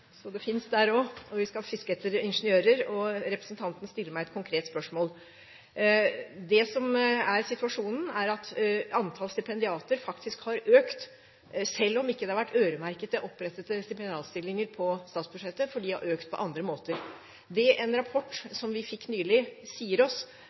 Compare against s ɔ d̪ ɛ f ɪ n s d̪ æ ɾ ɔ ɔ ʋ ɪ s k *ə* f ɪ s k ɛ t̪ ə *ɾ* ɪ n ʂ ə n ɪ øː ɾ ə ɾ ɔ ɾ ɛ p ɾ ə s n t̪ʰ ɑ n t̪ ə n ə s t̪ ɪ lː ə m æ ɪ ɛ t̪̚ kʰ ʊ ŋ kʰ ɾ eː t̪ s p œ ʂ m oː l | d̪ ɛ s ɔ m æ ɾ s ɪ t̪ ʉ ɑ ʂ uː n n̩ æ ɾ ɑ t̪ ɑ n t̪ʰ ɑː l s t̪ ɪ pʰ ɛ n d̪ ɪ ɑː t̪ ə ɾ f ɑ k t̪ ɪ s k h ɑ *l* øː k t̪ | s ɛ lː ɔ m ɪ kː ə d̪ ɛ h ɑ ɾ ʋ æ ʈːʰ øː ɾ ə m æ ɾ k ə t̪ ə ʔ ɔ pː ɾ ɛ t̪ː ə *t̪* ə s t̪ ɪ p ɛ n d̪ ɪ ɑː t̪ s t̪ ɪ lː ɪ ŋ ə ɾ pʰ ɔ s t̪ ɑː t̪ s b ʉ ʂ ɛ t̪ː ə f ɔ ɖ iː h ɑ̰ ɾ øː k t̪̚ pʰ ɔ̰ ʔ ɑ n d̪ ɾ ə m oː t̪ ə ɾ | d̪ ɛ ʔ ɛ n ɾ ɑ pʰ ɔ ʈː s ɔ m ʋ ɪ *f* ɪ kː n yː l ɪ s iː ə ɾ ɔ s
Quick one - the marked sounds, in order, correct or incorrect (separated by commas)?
incorrect, correct, incorrect, correct, correct